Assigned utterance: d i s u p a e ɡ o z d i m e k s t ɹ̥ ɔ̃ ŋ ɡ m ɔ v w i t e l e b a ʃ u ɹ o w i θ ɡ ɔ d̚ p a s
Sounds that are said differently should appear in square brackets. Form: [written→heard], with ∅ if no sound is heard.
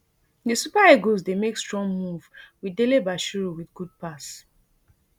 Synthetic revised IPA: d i s u p a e ɡ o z d [i→e] m e k s t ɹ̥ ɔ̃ ŋ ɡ m [ɔ→u] v w i [t→d] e l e b a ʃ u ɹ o w i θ ɡ [ɔ→u] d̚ p a s